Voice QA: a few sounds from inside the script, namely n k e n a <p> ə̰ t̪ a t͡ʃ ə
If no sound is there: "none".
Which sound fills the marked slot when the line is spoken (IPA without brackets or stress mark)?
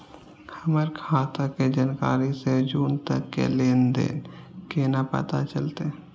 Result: p